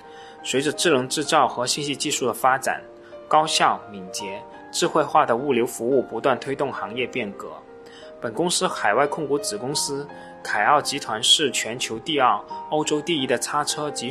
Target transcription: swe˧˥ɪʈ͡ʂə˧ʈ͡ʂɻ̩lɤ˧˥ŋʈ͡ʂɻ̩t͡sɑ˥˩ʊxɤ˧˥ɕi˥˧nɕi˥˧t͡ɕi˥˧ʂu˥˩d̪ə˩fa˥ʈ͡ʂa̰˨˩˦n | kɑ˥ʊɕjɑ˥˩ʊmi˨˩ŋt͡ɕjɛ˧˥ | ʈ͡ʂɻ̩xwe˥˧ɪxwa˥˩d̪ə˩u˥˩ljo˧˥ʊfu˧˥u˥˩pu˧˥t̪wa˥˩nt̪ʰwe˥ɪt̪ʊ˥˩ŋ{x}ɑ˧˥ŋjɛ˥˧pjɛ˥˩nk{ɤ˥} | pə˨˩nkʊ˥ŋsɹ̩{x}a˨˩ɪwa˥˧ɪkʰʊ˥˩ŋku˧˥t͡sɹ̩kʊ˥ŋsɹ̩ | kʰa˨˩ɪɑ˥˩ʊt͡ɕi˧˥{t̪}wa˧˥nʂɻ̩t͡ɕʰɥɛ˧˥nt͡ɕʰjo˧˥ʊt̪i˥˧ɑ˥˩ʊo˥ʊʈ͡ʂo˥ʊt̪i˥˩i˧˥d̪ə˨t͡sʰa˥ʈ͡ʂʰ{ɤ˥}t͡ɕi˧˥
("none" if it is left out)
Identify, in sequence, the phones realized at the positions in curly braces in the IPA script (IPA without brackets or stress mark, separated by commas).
x, ɤ˧˥, x, t̪ʰ, ɤ˥